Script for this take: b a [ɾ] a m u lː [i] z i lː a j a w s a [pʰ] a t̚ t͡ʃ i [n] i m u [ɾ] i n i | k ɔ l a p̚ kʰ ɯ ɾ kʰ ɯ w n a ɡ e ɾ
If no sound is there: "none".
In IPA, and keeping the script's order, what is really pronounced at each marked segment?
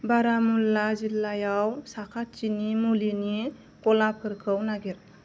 ɾ, a, kʰ, n, l

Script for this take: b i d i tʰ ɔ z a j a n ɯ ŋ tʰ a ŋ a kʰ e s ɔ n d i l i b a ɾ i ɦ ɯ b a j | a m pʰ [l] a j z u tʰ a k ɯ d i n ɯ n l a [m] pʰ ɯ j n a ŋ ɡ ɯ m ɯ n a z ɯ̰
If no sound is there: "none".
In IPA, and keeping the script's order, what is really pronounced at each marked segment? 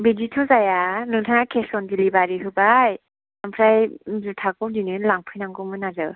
ɾ, ŋ

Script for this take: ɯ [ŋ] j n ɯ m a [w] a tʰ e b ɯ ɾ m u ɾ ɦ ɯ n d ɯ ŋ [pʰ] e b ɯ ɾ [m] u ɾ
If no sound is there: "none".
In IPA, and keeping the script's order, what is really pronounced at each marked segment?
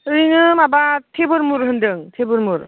none, b, tʰ, m

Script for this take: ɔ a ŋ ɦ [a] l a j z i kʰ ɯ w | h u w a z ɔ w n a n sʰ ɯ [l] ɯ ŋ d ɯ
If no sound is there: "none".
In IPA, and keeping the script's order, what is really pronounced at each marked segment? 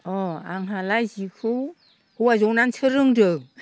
a, ɾ

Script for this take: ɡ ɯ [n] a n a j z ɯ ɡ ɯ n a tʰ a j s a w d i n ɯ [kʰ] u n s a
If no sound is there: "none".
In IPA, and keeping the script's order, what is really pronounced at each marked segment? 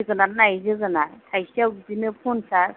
n, pʰ

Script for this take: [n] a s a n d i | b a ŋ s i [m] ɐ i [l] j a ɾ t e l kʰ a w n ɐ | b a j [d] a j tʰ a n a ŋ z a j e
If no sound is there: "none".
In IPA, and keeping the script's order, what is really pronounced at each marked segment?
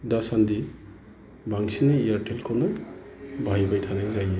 d, n, none, b

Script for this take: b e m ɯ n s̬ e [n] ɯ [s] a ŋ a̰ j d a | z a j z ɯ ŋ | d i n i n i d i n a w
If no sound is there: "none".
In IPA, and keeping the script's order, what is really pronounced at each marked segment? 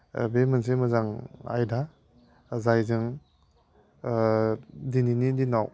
m, z

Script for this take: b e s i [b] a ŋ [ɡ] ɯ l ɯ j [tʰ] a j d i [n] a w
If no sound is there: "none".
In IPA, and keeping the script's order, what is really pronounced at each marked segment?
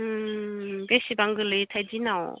b, ɡ, tʰ, n

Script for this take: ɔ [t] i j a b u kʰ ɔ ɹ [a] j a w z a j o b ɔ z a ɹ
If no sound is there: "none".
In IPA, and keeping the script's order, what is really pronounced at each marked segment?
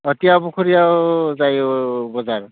t, i

